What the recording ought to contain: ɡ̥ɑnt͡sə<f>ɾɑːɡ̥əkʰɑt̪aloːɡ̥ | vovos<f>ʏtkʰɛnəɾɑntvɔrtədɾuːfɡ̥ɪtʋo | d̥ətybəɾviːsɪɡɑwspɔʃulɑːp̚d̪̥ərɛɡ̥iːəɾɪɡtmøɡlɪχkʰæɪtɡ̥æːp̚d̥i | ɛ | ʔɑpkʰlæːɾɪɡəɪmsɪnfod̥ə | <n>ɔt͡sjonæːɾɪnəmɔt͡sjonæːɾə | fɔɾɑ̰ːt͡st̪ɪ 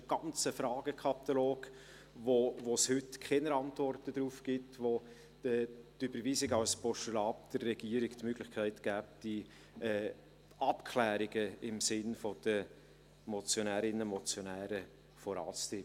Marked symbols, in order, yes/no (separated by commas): yes, no, no